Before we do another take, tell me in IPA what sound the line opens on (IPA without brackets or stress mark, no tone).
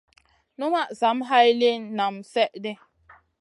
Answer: n